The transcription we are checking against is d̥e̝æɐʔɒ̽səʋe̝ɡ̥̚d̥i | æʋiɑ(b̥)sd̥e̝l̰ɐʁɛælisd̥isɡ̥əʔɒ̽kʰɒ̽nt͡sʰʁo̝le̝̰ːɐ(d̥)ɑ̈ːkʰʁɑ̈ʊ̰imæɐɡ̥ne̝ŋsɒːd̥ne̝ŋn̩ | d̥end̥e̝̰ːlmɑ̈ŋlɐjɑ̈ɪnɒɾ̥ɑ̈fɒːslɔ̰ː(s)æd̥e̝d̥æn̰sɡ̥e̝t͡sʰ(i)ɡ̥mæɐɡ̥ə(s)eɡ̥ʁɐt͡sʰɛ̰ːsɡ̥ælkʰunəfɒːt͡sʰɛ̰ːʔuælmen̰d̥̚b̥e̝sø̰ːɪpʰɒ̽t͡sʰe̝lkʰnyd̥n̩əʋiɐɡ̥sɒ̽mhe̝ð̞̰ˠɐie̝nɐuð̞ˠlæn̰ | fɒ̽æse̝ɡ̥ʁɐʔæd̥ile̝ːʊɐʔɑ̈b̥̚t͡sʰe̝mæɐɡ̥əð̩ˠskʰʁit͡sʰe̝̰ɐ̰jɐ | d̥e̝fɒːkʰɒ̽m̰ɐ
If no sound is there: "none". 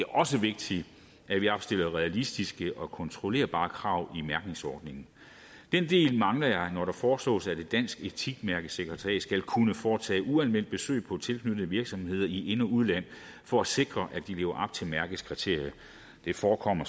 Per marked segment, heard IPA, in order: b̥, b̥, s, i, s

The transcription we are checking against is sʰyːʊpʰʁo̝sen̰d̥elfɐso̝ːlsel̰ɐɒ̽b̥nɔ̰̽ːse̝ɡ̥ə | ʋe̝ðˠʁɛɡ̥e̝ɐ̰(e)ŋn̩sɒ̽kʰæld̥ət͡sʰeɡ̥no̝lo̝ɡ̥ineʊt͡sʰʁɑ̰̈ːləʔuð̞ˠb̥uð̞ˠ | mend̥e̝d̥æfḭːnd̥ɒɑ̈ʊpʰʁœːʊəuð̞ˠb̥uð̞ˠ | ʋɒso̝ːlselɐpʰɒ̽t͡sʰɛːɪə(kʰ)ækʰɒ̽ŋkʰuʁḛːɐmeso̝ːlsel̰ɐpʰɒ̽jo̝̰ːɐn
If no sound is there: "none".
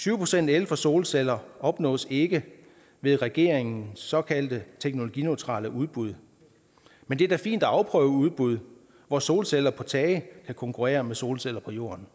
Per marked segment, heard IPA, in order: e, kʰ

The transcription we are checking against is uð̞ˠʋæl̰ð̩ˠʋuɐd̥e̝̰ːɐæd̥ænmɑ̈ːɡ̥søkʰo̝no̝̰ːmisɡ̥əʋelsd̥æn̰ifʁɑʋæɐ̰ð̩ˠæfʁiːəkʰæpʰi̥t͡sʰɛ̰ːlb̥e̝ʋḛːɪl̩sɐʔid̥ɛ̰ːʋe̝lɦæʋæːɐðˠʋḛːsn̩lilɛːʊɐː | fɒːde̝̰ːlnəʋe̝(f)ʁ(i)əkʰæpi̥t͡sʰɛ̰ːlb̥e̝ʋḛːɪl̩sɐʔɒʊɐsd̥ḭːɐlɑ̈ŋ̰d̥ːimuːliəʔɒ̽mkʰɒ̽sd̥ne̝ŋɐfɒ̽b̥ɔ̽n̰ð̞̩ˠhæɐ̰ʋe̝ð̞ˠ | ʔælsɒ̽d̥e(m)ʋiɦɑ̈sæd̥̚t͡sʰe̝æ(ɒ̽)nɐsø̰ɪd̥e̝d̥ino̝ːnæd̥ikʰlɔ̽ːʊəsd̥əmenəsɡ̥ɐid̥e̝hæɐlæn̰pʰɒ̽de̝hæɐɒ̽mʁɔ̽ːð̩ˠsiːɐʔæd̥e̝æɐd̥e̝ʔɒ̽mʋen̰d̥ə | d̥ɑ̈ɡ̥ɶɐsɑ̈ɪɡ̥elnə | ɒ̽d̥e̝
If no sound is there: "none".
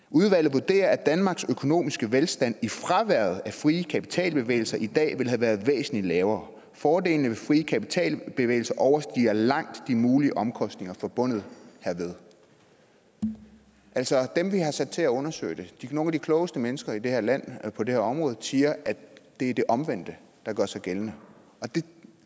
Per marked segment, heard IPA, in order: f, iː, m, ɔ̽

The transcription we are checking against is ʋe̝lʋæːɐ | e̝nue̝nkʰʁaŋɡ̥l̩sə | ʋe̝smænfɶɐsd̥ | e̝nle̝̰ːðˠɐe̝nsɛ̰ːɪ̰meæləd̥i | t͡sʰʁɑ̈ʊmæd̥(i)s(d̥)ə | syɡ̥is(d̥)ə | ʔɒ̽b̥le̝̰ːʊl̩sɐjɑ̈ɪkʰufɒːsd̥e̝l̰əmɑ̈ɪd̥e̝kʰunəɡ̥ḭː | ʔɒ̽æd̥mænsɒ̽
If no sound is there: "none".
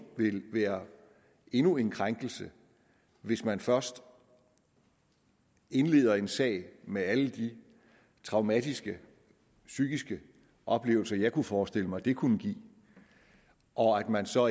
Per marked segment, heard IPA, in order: i, ɡ̥, ɡ̥

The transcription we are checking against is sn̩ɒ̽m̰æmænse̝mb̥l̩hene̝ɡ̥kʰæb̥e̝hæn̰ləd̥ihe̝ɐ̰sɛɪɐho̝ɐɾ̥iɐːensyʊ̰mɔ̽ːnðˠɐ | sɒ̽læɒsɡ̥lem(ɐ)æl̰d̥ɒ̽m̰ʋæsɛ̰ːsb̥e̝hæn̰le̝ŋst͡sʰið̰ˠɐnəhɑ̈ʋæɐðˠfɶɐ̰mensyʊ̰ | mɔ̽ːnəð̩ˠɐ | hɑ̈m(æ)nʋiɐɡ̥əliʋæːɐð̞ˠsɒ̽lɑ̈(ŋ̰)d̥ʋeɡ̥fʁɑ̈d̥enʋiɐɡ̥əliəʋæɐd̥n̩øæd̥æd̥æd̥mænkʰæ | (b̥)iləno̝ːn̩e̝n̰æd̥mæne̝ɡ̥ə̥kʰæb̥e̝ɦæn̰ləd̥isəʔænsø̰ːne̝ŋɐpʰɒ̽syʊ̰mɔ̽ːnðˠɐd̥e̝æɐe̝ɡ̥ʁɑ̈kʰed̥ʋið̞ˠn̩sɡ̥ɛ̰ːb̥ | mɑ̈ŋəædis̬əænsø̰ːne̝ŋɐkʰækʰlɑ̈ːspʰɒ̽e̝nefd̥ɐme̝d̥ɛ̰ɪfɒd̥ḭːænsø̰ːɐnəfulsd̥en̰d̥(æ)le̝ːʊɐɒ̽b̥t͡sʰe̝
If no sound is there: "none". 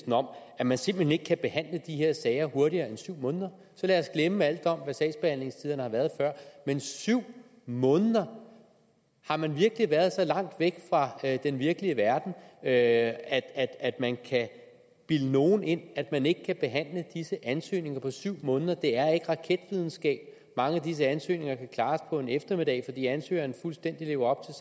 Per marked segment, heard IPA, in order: ə, æ, ŋ̰, b̥, i

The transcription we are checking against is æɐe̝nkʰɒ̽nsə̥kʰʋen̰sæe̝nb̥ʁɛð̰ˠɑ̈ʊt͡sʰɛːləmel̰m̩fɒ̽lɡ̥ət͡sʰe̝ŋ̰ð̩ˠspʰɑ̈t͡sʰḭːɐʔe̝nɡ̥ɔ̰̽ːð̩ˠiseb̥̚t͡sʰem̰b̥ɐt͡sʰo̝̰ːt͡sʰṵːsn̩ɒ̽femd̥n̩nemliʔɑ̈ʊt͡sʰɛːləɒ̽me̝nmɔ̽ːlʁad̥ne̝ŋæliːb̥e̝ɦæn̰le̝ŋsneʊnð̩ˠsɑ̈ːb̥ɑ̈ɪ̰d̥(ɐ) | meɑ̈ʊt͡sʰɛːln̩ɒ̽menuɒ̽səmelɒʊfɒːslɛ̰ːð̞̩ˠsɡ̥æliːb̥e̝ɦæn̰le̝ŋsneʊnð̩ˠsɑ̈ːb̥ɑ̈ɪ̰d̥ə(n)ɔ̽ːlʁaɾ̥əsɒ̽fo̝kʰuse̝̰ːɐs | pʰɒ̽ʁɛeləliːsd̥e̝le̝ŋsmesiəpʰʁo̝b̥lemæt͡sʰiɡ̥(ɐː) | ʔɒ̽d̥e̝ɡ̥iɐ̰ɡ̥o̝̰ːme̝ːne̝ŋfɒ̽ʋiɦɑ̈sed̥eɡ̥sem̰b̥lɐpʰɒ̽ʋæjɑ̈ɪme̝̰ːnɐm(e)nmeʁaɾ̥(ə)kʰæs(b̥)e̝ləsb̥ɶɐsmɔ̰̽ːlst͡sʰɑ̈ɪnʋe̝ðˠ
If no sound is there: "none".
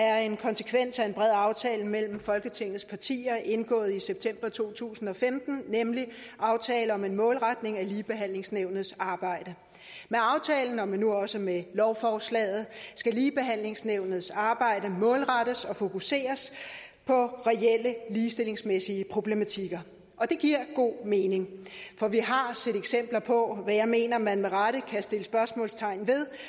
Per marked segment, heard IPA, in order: ə, m, ɐ, æ, ə, d̥

